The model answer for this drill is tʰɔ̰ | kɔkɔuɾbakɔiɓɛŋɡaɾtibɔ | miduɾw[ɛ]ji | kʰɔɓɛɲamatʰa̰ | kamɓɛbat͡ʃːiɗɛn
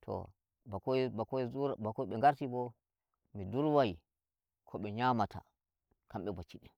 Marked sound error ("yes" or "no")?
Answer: yes